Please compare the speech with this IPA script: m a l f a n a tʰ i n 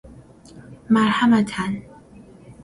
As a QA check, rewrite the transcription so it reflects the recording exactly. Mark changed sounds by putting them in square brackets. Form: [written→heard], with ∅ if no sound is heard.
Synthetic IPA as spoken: m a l [f→h] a [n→m] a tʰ [i→a] n